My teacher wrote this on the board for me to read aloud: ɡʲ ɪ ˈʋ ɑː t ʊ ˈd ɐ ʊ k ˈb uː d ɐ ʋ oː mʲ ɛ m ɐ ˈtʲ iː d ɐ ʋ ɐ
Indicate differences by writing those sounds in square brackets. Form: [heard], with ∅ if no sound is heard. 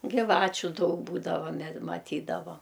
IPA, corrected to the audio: ɡʲ ɪ ˈʋ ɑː [t͡ʃʲ] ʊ ˈd ɐ ʊ k ˈb uː d ɐ ʋ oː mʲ ɛ m ɐ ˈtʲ iː d ɐ ʋ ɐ